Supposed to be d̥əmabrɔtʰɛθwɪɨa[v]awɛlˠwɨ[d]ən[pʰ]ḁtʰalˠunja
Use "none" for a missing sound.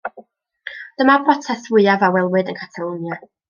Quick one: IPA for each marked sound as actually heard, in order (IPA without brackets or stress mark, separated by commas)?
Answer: v, d, kʰ